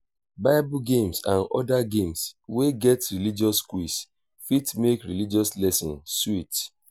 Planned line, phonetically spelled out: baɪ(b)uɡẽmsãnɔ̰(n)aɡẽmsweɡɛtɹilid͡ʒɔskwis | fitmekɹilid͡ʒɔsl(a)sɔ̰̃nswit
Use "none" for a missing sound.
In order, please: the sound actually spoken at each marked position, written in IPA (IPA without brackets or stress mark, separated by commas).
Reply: b, d, ɛ